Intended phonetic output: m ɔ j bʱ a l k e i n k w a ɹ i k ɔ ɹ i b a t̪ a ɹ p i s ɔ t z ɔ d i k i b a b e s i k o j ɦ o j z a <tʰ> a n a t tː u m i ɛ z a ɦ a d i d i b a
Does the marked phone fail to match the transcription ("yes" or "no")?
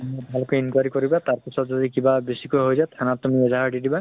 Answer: no